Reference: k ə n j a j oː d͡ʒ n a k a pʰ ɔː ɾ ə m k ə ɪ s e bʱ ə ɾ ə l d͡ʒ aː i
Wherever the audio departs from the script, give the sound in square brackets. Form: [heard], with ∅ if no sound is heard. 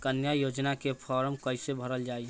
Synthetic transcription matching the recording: k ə n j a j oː d͡ʒ n a k [e] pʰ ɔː ɾ ə m k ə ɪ s e bʱ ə ɾ ə l d͡ʒ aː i